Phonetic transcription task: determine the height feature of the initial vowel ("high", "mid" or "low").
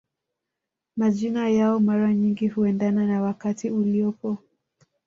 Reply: low